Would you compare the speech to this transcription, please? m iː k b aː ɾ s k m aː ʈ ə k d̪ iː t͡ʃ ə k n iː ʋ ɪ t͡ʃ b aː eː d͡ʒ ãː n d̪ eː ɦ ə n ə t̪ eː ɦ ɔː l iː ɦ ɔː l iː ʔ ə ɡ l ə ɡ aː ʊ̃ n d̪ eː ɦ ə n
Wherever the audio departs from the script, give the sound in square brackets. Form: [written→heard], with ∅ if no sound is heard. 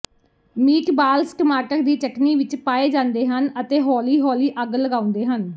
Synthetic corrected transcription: m iː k b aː [ɾ→l] s k m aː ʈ ə k d̪ iː t͡ʃ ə k n iː ʋ ɪ t͡ʃ [b→p] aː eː d͡ʒ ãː n d̪ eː ɦ ə n ə t̪ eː ɦ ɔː l iː ɦ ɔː l iː ʔ ə ɡ l ə ɡ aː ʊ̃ n d̪ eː ɦ ə n